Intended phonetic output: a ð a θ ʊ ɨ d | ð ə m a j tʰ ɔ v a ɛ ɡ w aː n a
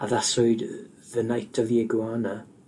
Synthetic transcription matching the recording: a ð a s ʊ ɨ d | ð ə n a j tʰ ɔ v i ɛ ɡ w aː n a